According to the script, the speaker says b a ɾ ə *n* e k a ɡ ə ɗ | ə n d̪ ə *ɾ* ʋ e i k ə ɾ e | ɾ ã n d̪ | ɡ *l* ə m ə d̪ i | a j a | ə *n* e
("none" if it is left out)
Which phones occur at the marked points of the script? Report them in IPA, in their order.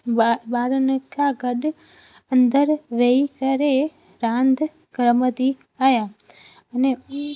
n, ɾ, ɾ, n

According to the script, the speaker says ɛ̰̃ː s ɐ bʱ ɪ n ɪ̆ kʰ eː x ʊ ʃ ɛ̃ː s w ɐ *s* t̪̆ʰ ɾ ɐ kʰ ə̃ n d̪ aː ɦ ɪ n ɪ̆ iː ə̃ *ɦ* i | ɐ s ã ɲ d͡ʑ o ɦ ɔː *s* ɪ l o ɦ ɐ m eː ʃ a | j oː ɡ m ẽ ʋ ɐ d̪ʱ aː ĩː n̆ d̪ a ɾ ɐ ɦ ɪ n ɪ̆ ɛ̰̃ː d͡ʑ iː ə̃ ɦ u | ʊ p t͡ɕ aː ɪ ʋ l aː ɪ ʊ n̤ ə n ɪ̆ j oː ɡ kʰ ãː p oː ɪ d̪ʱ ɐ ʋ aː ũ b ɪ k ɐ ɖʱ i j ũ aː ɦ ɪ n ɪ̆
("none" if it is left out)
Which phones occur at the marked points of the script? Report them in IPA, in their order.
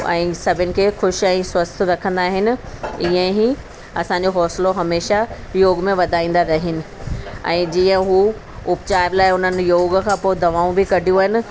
s, ɦ, s

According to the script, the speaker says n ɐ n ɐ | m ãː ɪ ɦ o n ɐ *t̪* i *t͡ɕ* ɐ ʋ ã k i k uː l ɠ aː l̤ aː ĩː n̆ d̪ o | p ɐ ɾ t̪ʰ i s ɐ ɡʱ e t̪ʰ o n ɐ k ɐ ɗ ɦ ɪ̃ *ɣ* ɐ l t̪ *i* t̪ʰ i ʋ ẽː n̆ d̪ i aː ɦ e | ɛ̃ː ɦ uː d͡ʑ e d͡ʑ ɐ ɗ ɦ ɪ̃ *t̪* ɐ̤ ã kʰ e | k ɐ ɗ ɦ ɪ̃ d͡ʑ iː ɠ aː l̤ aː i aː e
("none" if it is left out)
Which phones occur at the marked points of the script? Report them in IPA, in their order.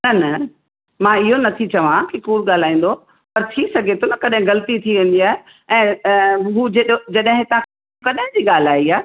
t̪ʰ, t͡ɕ, ɣ, i, t̪

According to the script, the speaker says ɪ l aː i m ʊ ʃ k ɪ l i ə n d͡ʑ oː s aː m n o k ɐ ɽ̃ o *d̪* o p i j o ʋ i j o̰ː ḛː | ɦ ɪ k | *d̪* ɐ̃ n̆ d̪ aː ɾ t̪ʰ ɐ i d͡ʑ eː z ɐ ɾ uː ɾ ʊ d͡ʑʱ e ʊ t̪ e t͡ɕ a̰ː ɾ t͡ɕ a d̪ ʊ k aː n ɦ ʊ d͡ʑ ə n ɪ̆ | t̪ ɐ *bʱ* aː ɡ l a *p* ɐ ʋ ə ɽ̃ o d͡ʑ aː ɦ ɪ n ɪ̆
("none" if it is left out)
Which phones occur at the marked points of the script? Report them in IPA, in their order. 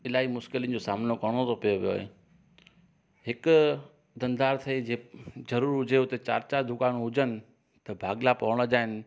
t̪, d̪, bʱ, p

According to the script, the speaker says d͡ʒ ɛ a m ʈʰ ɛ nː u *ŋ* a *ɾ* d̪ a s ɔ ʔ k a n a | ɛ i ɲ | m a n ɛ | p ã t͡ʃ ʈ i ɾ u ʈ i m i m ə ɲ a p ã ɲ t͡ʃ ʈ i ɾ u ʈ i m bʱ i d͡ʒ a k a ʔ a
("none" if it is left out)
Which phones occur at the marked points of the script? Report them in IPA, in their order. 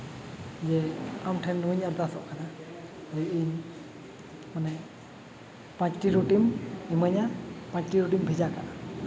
ɲ, ɾ

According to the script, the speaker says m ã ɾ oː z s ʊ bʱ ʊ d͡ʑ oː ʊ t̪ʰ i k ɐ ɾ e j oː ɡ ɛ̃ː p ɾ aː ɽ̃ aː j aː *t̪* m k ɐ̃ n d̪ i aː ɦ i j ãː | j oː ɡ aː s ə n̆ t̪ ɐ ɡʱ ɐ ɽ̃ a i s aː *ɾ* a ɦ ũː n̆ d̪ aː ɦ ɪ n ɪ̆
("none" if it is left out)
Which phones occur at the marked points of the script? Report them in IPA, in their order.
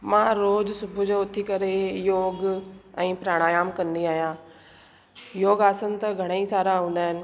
none, ɾ

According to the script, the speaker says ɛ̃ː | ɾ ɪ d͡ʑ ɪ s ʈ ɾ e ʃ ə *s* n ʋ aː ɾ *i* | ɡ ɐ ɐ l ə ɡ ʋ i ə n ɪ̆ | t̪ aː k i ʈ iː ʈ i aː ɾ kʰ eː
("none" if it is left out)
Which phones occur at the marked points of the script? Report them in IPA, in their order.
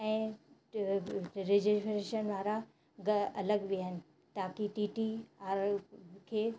none, a

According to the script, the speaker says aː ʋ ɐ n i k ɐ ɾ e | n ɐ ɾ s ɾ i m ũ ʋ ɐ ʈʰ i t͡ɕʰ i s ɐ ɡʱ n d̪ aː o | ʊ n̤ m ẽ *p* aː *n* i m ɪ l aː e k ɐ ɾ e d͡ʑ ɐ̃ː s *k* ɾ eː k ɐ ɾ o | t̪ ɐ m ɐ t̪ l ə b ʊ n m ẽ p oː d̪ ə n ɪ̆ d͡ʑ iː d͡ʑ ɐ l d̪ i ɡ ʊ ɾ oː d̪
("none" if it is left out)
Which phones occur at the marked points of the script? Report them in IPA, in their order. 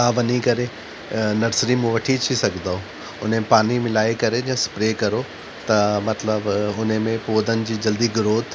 p, n, p

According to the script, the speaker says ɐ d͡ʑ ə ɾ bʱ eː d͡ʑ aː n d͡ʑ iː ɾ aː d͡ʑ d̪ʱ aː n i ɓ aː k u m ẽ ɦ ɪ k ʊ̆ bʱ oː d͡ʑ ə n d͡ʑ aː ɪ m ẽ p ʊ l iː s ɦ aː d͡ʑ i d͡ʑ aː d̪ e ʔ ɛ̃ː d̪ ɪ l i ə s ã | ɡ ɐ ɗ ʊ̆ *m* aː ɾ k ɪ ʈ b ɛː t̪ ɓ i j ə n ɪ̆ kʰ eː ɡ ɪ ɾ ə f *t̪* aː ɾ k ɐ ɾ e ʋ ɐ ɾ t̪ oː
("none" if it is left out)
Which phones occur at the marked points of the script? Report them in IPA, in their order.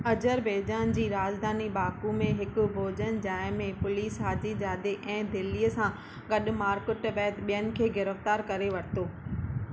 m, t̪

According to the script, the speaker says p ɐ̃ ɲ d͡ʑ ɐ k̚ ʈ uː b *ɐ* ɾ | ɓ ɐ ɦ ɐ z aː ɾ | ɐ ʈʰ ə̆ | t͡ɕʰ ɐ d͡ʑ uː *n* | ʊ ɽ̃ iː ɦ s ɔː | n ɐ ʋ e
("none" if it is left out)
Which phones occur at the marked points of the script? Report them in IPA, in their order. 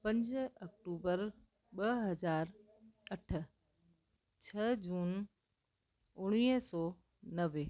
ə, n

